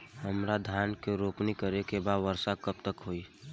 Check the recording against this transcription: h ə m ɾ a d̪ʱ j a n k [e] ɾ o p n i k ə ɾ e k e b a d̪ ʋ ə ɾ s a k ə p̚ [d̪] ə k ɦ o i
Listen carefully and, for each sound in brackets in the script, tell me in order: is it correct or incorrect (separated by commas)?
correct, incorrect